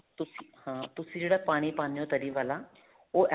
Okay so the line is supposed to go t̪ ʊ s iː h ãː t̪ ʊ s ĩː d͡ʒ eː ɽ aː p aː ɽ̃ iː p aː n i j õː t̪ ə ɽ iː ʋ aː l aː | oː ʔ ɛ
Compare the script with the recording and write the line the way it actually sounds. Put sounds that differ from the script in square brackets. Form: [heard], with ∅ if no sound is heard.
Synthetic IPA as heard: t̪ ʊ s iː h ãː t̪ ʊ s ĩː d͡ʒ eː ɽ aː p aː ɽ̃ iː p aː n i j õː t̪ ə [ɾ] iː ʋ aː l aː | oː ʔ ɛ